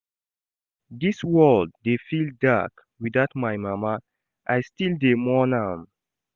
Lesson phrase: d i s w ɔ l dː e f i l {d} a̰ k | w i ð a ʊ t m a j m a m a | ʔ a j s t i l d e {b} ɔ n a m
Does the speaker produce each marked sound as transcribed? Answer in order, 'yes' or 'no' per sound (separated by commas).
yes, no